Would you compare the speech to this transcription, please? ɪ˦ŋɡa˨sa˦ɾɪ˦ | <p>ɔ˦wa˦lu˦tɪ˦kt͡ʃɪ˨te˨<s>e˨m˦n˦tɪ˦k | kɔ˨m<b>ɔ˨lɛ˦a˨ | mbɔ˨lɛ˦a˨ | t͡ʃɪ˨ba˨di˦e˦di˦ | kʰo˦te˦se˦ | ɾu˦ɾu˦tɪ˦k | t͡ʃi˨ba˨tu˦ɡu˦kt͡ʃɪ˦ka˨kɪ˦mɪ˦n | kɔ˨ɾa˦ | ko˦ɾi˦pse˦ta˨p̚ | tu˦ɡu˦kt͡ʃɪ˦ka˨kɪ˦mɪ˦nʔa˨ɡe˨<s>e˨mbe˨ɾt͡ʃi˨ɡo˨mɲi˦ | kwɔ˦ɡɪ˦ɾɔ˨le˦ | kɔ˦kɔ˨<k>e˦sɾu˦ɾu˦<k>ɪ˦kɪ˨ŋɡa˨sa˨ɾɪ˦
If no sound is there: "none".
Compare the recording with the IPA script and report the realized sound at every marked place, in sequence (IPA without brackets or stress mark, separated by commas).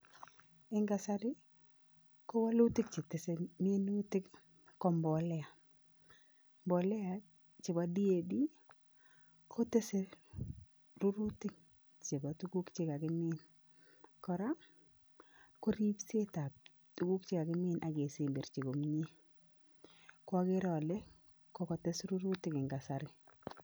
k, s, b, s, t, t